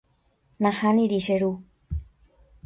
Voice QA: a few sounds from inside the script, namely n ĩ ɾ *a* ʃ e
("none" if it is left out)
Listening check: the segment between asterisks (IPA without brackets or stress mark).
i